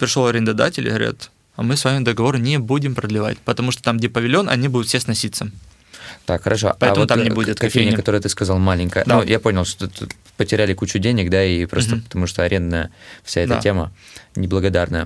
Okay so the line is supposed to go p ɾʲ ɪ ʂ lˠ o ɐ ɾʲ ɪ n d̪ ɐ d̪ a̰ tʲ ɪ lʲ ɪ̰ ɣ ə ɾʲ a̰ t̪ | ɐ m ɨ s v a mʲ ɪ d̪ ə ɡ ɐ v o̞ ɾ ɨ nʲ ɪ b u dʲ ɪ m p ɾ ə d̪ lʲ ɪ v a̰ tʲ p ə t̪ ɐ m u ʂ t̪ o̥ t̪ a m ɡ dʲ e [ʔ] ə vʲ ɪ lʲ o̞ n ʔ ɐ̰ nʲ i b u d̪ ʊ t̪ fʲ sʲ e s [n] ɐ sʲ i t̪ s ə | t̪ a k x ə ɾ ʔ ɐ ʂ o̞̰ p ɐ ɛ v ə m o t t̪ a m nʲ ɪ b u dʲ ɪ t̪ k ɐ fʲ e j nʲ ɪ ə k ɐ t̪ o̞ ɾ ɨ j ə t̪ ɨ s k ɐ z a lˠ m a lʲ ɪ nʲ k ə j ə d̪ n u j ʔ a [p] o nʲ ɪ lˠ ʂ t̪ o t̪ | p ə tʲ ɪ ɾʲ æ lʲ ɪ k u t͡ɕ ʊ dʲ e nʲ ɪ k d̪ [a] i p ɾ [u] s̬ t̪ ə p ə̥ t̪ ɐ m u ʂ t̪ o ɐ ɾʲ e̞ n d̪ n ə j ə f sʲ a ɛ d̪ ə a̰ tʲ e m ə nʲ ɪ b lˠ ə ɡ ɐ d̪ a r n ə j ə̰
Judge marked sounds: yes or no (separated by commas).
no, yes, yes, yes, no